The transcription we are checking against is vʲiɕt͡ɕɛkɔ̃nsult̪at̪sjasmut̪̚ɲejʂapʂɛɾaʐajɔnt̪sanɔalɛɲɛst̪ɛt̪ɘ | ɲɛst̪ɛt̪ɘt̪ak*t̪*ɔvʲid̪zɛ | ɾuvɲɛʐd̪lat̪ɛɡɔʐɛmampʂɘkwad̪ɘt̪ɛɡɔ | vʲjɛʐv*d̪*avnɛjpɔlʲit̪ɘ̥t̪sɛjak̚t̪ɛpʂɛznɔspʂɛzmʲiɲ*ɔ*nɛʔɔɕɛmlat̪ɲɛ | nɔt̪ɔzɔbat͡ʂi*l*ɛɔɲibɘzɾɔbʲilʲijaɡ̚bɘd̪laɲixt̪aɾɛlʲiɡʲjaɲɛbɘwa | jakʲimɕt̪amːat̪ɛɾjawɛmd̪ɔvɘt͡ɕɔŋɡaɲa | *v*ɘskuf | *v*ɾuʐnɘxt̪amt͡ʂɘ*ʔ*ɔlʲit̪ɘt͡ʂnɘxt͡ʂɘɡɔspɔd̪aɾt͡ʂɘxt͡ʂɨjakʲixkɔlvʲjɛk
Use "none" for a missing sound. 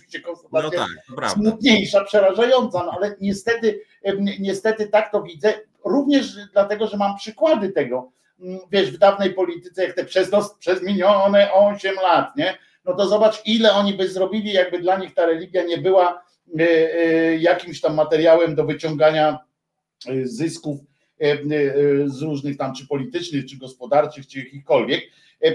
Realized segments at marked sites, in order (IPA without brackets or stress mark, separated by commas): t̪, d̪, ɔ, l, z, z, p